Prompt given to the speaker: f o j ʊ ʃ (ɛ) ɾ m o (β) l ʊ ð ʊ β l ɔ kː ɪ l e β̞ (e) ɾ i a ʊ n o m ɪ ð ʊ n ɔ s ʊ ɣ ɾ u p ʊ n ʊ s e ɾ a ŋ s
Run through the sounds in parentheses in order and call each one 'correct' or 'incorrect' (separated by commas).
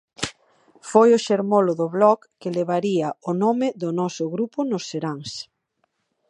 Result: incorrect, incorrect, incorrect